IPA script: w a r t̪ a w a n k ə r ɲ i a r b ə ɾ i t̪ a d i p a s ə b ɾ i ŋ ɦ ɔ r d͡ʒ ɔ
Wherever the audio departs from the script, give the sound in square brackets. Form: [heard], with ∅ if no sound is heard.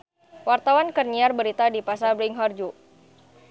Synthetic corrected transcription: w a r t̪ a w a n k ə r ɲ i a r b ə ɾ i t̪ a d i p a s [a] b ɾ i ŋ ɦ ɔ r d͡ʒ [u]